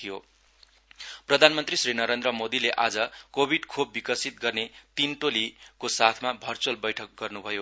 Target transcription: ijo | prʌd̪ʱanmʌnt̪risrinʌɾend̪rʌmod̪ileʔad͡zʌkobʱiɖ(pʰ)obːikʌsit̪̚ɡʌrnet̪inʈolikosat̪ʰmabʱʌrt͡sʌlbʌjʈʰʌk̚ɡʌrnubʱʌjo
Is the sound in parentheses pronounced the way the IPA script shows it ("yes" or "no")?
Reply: no